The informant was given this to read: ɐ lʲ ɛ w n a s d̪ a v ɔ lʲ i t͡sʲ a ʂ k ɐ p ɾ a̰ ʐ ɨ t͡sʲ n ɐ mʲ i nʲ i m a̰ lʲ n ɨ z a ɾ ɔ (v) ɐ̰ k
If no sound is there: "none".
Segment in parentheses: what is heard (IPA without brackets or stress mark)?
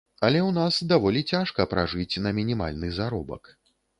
b